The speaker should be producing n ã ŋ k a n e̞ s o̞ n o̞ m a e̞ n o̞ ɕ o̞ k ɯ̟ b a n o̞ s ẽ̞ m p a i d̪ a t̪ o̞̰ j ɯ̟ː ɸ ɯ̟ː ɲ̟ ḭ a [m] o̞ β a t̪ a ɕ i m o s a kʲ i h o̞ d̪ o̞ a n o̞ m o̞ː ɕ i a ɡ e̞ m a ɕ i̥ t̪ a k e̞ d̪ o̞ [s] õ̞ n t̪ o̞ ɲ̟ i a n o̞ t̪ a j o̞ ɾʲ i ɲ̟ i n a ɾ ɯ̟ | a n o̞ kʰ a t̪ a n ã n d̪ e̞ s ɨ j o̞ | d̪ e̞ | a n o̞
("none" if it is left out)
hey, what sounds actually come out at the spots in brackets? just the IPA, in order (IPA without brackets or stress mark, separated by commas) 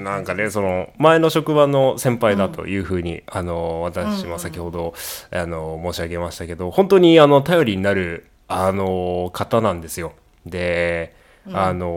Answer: n, h